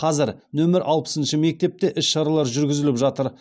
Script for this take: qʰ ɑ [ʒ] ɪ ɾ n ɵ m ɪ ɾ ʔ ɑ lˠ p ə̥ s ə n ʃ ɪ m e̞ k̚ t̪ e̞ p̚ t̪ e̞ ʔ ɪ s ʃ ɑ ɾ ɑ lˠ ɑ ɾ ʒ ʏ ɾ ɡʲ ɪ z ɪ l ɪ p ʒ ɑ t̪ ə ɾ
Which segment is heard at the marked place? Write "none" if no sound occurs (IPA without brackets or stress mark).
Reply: z